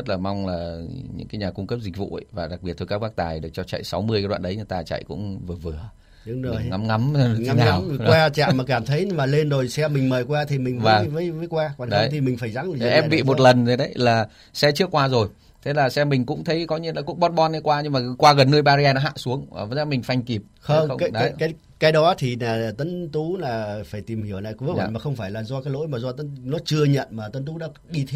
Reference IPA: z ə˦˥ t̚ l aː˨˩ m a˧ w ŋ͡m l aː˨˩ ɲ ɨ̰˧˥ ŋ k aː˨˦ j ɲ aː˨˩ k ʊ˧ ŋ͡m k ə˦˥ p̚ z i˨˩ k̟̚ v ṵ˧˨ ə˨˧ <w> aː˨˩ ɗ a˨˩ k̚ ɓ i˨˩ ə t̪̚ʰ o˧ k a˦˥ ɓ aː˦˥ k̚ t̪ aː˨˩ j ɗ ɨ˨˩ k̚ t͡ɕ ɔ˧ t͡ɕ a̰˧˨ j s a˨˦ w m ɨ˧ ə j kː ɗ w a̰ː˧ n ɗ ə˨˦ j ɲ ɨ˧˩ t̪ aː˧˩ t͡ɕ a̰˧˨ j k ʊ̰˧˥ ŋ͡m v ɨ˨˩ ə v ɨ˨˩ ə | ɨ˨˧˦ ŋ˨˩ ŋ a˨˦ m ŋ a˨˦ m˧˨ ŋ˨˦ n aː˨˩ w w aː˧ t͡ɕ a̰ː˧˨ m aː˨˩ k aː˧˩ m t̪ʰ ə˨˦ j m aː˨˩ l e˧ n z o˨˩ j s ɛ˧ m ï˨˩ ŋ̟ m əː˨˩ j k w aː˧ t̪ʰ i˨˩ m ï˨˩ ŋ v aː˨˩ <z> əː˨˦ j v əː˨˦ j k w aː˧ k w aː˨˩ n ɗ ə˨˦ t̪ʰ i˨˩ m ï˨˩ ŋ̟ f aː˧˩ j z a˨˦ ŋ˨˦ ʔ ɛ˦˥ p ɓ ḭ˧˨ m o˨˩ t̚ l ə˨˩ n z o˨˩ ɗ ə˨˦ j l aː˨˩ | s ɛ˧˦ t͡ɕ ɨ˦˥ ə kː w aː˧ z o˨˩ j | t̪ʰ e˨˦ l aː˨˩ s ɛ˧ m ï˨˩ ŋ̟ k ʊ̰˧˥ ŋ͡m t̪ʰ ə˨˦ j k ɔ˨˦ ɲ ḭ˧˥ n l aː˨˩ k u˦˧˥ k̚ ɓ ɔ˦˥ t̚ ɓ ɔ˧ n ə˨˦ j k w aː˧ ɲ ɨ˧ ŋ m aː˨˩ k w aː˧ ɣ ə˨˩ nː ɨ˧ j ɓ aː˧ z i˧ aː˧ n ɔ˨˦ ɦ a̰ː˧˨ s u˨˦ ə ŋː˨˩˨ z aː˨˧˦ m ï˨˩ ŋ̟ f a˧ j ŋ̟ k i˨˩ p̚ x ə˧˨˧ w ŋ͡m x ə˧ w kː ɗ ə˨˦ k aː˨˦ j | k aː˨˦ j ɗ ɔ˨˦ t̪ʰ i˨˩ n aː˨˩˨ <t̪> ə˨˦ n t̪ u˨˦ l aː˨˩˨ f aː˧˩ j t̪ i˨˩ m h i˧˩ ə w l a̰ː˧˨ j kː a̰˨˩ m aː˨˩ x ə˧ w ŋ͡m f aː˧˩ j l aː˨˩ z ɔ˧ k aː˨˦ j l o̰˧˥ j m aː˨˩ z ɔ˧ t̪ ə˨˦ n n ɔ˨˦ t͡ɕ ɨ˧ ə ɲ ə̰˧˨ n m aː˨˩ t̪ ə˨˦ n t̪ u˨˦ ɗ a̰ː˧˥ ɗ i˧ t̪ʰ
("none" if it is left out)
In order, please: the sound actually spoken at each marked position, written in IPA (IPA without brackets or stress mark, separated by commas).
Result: v, v, t̪